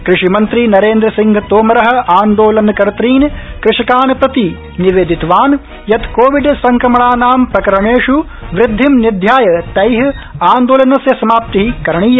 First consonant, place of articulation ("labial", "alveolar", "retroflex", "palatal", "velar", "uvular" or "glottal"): velar